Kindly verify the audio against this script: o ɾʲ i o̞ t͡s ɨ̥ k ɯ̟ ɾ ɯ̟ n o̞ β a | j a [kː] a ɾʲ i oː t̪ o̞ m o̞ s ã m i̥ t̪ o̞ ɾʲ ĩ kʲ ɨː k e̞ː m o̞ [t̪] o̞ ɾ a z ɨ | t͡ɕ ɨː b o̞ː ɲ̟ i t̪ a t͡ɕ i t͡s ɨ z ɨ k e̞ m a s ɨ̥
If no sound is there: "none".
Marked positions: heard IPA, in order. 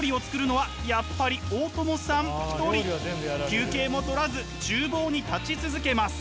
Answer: pː, t̪

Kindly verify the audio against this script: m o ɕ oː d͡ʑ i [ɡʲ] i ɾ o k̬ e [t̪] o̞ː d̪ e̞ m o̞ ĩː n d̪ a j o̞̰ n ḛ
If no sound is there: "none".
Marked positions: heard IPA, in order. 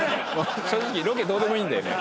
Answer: kʲ, d̪

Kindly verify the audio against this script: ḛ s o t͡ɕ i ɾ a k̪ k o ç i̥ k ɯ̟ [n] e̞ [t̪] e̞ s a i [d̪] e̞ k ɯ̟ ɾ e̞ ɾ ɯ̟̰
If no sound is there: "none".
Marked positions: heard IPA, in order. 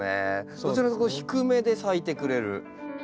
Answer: m, d̪, t̪

